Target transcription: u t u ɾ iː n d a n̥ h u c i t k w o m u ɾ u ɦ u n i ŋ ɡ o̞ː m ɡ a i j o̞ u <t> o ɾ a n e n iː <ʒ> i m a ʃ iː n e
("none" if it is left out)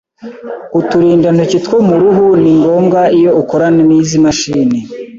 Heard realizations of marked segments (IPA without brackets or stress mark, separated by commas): k, z